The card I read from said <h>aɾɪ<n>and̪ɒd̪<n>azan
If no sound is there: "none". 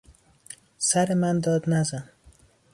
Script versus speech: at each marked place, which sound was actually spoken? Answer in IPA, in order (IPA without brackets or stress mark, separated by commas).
s, m, n